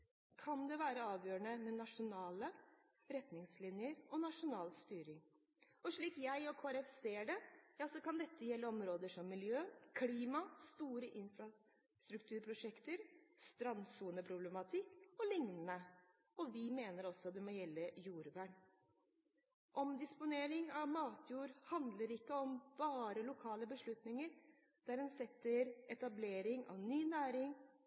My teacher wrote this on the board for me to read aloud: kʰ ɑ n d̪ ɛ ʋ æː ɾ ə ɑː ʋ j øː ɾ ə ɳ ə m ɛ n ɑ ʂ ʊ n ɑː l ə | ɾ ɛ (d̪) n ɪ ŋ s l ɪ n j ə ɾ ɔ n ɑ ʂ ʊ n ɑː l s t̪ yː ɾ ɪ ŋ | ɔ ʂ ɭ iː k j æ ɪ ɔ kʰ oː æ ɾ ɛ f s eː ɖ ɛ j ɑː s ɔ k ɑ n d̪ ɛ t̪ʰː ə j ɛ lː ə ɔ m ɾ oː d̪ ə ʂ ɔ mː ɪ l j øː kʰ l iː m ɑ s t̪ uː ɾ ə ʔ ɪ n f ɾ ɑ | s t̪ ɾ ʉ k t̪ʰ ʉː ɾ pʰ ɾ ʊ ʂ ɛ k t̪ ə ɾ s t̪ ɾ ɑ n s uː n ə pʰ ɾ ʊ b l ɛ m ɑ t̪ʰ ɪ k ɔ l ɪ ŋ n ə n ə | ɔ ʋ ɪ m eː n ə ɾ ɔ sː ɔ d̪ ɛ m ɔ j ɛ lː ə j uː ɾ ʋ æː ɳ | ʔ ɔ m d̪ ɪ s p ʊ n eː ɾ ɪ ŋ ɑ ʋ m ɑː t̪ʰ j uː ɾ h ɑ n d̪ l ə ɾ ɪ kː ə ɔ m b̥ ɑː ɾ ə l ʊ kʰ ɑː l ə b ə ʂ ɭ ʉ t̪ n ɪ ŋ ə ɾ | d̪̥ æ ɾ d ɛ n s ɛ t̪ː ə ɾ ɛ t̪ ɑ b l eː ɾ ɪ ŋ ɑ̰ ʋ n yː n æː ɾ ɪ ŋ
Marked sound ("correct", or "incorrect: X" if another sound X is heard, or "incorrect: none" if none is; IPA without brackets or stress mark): incorrect: t̪